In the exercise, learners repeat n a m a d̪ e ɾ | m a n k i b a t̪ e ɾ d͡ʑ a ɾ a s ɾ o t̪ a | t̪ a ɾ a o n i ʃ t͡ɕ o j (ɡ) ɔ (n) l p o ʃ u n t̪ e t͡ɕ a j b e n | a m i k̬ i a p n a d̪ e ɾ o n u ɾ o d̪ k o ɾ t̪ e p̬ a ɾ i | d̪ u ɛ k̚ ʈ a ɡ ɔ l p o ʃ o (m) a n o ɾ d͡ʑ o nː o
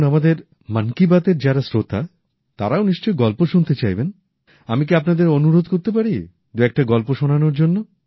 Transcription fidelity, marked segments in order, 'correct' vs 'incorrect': correct, incorrect: none, incorrect: n

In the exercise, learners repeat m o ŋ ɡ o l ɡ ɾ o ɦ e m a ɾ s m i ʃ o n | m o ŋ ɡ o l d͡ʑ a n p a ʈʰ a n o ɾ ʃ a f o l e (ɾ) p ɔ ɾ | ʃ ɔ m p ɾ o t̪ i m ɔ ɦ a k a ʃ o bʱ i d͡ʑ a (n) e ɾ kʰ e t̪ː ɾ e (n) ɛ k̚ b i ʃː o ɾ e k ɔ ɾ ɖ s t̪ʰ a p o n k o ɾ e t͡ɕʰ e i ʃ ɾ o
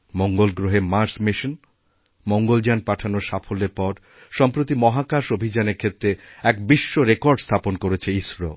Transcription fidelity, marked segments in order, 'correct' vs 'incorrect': correct, correct, incorrect: none

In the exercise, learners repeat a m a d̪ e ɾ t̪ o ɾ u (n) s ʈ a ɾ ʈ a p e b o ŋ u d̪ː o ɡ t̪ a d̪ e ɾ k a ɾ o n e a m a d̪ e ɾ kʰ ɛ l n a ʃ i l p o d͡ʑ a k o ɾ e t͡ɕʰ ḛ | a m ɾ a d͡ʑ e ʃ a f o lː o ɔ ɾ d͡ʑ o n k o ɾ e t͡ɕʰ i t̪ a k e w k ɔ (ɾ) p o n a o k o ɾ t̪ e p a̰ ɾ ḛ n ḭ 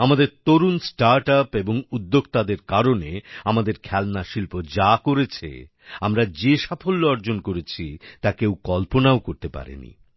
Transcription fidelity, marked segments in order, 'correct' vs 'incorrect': correct, incorrect: l

